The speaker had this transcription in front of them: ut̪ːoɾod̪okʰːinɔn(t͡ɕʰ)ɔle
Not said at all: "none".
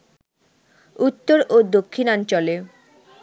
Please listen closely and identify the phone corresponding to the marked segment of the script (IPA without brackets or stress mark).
t͡ɕ